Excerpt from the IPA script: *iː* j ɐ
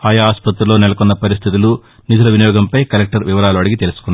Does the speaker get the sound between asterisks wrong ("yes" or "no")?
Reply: yes